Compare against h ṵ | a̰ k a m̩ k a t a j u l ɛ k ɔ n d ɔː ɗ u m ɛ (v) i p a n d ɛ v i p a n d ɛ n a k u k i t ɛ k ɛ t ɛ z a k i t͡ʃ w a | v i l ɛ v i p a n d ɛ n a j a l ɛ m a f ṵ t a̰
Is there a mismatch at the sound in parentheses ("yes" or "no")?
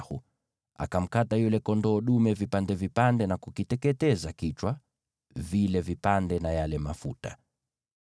no